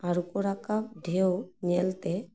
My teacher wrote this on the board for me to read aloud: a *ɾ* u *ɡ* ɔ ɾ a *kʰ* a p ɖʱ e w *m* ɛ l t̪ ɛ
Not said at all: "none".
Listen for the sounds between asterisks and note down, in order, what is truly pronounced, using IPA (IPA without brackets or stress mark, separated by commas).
ɾ, k, k, ɲ